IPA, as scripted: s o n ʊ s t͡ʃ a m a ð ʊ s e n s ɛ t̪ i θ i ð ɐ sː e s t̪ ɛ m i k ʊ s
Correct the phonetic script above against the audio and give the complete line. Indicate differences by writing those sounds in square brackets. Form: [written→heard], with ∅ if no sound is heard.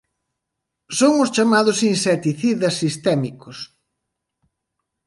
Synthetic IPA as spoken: s o [n→ŋ] ʊ s t͡ʃ a m a ð ʊ s [e→i] n s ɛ t̪ i θ i ð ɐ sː [e→i] s t̪ ɛ m i k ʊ s